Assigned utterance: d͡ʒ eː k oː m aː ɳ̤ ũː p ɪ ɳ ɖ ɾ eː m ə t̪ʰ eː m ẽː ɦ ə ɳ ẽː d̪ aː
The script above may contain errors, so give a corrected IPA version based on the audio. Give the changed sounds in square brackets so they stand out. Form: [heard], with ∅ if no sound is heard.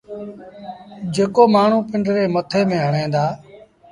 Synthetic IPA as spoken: d͡ʒ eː k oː m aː ɳ̤ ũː p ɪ ɳ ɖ ɾ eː m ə t̪ʰ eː m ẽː ɦ ə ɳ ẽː d̪ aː